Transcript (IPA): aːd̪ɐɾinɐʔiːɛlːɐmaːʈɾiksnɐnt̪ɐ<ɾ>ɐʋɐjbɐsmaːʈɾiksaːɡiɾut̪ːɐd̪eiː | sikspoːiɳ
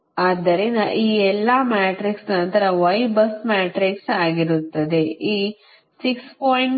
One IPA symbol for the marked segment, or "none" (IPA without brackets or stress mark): ɾ